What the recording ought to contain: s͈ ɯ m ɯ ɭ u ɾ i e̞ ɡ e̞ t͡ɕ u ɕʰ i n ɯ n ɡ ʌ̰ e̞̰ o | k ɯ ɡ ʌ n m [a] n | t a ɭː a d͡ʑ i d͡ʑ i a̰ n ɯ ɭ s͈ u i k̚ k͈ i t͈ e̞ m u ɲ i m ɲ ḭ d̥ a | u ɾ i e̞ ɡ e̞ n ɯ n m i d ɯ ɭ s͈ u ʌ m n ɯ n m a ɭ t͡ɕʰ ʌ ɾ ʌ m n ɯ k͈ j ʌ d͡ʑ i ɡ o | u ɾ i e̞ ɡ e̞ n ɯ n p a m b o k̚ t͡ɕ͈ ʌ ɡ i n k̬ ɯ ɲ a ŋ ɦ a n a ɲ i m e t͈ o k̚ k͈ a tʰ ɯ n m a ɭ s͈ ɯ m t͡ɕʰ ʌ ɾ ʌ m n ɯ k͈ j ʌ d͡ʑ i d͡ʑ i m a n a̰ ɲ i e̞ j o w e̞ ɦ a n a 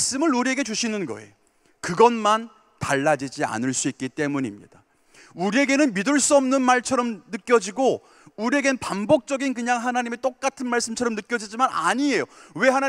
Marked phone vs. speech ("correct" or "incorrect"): correct